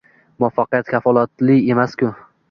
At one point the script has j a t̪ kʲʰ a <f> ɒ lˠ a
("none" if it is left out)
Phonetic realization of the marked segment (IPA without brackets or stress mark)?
f